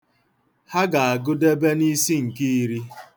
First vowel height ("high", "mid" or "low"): low